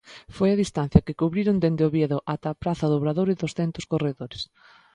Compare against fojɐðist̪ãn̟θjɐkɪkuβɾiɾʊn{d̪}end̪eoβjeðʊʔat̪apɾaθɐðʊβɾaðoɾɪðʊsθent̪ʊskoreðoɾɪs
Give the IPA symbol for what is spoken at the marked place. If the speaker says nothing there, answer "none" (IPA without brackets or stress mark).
d̪